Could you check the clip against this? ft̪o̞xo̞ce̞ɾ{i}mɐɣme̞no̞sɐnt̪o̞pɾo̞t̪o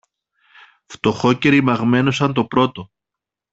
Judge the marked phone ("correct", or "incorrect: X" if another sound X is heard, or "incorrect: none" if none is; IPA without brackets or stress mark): correct